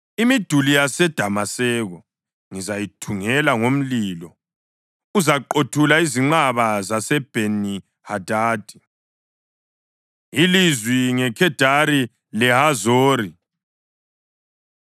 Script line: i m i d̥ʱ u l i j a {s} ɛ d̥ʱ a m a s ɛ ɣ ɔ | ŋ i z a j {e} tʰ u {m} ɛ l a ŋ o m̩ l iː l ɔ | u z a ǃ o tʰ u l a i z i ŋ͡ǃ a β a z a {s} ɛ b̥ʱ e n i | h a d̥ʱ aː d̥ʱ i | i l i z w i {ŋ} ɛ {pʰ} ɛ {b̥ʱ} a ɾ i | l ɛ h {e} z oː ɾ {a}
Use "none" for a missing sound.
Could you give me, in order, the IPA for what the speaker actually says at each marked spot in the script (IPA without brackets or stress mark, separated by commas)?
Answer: s, i, ŋ, s, ŋ, kʰ, d̥ʱ, a, i